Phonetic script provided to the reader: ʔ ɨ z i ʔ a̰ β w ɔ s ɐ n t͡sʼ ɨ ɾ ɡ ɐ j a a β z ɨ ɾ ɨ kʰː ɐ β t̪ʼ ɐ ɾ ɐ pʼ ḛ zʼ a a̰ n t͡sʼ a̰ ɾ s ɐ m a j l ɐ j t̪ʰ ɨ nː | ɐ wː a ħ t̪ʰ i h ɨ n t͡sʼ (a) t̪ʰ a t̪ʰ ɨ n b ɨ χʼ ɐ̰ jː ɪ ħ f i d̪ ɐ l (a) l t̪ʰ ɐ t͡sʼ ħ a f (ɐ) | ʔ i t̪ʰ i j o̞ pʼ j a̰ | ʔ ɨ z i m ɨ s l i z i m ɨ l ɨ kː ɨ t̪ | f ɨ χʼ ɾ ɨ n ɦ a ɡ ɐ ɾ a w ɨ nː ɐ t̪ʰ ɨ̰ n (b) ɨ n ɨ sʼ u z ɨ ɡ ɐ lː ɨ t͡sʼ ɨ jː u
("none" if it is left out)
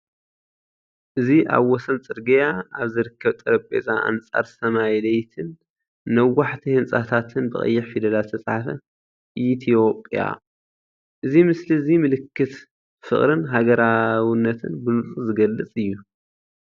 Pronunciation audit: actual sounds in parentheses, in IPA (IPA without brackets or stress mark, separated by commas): a, a, ɐ, b